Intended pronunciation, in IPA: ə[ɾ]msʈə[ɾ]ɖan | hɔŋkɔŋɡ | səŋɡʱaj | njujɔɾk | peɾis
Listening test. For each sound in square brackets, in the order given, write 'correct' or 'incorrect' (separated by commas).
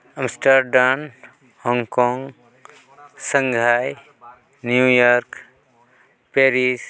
incorrect, correct